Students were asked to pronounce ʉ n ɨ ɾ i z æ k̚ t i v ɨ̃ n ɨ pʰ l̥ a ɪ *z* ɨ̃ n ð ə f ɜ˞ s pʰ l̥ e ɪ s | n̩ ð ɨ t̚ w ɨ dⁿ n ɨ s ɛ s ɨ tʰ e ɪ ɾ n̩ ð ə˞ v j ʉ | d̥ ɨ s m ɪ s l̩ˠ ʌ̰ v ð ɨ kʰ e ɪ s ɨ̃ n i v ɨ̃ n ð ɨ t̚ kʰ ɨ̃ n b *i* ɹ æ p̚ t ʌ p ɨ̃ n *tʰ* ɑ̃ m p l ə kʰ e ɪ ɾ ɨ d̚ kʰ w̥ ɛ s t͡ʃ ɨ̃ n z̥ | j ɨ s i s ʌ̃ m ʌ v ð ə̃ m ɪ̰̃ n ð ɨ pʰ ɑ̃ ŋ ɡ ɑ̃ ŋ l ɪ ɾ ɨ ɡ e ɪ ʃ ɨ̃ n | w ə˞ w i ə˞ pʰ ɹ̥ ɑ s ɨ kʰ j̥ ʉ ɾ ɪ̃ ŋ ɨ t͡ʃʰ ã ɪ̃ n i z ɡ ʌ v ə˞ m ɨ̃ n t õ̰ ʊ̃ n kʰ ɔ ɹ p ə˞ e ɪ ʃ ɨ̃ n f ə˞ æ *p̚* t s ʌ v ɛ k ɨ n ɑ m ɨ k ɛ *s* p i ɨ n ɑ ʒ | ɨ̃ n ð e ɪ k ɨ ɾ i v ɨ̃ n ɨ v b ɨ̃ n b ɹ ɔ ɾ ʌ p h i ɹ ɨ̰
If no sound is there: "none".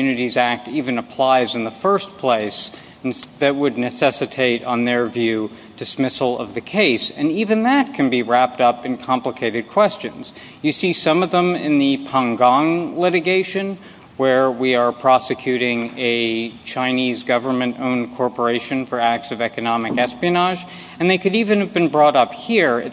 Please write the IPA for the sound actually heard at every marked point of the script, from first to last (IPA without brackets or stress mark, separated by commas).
z, i, kʰ, k̚, s